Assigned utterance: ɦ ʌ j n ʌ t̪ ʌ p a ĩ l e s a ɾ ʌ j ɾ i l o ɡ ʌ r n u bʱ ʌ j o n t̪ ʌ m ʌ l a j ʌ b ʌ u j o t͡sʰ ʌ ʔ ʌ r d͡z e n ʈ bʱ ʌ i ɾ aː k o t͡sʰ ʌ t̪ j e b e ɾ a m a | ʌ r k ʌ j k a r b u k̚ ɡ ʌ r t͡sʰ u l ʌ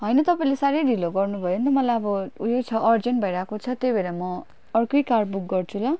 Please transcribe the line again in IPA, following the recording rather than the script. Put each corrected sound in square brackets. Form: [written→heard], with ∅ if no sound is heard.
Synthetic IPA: ɦ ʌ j n ʌ t̪ ʌ p a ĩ l e s a ɾ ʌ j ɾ i l o ɡ ʌ r n u bʱ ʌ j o n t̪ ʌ m ʌ l a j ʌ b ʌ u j o t͡sʰ ʌ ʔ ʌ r d͡z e n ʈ bʱ ʌ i ɾ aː k o t͡sʰ ʌ t̪ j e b e ɾ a m [a→ʌ] | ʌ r k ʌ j k a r b u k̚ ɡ ʌ r t͡sʰ u l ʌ